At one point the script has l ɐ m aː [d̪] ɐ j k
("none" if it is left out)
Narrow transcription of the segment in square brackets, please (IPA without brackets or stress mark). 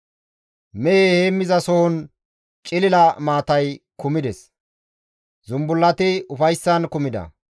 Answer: t̪